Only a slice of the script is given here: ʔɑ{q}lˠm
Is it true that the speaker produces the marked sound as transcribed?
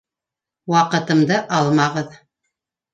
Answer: no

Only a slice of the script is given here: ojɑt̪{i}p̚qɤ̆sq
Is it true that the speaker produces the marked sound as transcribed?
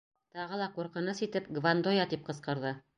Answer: yes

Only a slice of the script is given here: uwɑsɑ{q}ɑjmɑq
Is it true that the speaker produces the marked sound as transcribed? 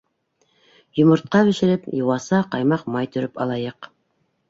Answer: yes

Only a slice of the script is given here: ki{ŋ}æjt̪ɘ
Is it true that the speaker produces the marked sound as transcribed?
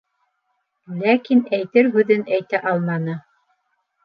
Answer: no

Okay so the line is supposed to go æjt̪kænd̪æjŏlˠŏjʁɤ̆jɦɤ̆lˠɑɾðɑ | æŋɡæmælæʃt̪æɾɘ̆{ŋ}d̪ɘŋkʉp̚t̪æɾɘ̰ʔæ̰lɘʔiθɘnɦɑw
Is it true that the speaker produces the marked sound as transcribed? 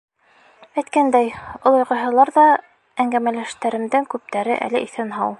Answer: no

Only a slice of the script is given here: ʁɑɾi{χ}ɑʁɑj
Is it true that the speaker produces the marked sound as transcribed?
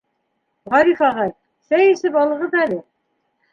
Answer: no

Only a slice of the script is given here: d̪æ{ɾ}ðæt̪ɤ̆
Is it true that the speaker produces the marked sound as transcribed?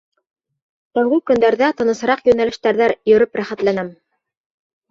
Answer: yes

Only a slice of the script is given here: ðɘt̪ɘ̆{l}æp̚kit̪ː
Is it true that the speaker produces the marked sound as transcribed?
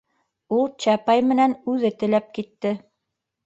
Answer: yes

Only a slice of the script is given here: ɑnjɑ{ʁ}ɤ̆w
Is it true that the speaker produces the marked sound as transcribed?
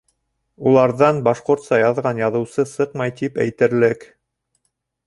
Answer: no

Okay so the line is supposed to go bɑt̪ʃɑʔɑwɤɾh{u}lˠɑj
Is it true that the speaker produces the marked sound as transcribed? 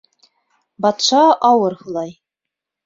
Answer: yes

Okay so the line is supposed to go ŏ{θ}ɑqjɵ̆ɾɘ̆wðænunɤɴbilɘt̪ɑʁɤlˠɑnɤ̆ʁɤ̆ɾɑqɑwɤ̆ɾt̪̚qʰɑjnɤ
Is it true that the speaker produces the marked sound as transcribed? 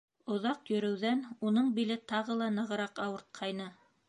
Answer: no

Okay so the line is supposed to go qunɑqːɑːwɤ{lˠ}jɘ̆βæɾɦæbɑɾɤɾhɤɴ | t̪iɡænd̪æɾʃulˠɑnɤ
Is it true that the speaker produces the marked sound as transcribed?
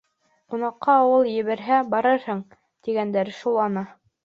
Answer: yes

